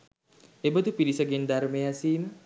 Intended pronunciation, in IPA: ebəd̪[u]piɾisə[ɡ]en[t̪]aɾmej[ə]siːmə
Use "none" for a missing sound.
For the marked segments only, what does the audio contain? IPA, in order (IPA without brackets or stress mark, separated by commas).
u, ɡ, d̪, a